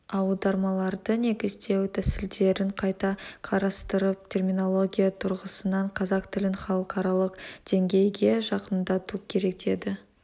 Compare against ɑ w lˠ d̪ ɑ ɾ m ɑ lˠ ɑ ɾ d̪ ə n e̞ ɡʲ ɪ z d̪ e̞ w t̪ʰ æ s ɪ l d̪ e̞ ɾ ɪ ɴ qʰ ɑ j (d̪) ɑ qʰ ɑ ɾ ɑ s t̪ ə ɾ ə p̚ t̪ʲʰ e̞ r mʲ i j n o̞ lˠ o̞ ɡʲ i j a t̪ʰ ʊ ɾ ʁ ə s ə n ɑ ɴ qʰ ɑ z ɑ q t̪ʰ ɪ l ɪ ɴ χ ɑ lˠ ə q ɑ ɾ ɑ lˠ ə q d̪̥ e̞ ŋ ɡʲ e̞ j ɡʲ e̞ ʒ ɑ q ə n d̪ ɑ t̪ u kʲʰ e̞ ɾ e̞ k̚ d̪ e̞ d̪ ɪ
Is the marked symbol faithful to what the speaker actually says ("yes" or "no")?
no